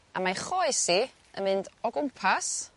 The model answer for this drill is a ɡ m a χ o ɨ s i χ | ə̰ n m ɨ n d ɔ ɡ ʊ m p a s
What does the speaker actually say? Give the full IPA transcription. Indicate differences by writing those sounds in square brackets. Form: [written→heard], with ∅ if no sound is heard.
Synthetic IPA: a [ɡ→∅] m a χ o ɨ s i [χ→∅] | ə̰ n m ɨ n d ɔ ɡ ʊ m [p→pʰ] a s